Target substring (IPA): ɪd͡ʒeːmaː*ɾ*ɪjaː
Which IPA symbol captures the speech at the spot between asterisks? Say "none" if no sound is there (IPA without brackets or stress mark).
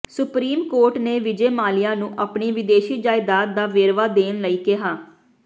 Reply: l